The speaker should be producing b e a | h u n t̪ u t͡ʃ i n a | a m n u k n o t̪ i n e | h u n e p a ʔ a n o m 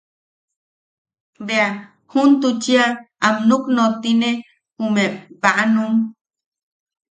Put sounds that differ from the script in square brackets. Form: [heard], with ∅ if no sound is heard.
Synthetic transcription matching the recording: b e a | h u n t̪ u t͡ʃ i [∅] a | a m n u k n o t̪ i n e | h u [m] e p a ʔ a n [u] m